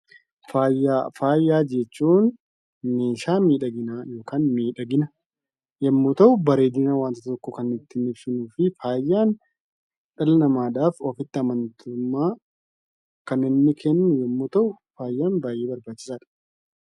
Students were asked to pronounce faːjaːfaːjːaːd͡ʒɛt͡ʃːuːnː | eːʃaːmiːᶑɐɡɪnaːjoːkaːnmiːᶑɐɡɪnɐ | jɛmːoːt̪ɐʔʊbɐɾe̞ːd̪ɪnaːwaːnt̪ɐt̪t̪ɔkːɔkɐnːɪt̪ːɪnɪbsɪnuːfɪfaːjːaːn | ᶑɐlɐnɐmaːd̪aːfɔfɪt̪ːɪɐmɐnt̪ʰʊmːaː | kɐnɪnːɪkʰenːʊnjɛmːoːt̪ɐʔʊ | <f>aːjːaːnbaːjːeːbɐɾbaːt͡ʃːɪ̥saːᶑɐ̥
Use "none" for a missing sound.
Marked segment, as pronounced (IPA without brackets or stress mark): f